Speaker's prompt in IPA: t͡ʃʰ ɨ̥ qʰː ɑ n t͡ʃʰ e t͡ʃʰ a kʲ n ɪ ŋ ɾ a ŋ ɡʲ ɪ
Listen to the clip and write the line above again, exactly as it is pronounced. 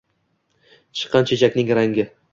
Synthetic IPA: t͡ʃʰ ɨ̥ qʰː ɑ n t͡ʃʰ e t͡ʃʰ a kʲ n ɪ ŋ ɾ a ŋ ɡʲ ɪ